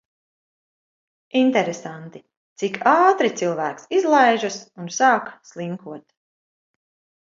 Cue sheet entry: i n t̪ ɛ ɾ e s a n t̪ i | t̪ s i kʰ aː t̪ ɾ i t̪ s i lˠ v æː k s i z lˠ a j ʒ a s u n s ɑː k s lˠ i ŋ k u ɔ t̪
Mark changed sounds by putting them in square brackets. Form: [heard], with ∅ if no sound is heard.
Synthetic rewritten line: i n t̪ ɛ ɾ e s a n t̪ i | t̪ s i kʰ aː t̪ ɾ i t̪ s i lˠ v æː k s i z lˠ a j ʒ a s u n s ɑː k s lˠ i ŋ k u ɔ t̪